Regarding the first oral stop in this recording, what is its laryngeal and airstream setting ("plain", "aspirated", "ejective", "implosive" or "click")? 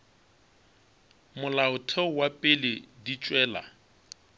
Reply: aspirated